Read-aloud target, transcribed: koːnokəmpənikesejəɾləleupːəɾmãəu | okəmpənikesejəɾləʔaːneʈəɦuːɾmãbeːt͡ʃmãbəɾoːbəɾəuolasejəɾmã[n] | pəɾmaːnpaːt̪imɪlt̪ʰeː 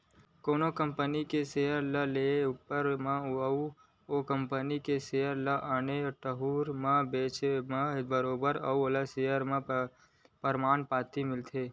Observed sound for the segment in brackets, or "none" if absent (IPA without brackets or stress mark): none